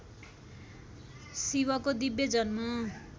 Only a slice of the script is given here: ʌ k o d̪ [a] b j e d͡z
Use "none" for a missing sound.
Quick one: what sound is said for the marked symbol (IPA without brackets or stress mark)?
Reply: i